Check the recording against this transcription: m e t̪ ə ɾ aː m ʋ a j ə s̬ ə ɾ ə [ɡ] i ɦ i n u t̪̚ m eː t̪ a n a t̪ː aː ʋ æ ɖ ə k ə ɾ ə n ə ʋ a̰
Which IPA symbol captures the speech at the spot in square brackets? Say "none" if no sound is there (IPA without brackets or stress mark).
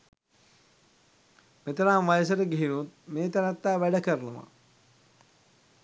ɡ